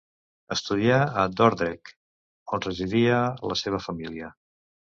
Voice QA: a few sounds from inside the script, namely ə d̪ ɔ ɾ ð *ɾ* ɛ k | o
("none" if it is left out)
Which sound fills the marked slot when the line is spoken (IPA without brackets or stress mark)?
ɾ